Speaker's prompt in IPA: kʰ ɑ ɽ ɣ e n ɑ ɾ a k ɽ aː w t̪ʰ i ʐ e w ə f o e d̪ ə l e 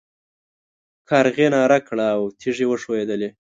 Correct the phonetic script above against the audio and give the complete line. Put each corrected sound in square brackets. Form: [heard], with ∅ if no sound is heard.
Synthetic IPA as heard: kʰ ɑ [ɾ] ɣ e n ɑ ɾ a k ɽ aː w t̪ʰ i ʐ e w ə [ʂ] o e d̪ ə l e

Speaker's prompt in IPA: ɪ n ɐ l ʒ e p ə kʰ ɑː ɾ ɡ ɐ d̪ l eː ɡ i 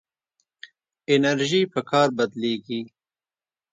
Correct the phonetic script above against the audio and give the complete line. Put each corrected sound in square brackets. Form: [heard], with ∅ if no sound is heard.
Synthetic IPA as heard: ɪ n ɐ [ɾ] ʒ [i] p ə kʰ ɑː ɾ [b] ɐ d̪ l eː ɡ i

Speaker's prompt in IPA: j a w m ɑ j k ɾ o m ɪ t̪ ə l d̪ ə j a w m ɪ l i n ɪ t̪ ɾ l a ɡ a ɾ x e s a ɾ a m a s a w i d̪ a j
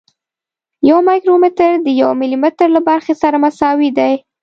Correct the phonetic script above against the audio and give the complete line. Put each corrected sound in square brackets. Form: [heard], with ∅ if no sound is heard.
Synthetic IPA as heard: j a w m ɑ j k ɾ o m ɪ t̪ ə [ɾ] d̪ ə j a w m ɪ l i [m] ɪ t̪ ɾ l a [b] a ɾ x e s a ɾ a m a s [ɑ] w i d̪ a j

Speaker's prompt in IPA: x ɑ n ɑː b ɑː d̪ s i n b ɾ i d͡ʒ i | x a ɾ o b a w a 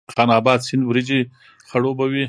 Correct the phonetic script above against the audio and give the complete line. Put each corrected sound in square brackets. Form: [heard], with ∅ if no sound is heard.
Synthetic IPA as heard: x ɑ n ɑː b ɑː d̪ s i n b ɾ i d͡ʒ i | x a [ɽ] o b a w [i]

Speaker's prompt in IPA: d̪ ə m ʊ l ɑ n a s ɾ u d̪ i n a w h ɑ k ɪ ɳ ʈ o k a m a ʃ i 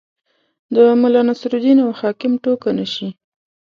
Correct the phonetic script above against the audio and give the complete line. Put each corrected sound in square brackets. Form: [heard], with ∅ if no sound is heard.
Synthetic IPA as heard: d̪ ə m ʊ l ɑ n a s ɾ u d̪ i n a w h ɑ k ɪ [m] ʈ o k a [n] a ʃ i

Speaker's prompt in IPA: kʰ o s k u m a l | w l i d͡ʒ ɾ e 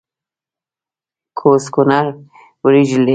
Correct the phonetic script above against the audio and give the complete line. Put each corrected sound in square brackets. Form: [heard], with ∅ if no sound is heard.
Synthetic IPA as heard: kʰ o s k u [n] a [ɾ] | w [ɾ] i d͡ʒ [l] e

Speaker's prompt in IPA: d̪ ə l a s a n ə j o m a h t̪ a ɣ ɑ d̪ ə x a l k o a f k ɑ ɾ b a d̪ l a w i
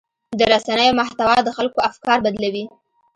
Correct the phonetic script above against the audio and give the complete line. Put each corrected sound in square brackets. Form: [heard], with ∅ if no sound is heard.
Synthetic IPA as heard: d̪ ə [ɾ] a s a n ə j o m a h t̪ a [w] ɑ d̪ ə x a l k o a f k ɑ ɾ b a d̪ l a w i

